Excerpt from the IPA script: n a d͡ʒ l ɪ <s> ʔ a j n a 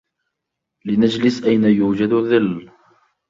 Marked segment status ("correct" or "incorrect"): correct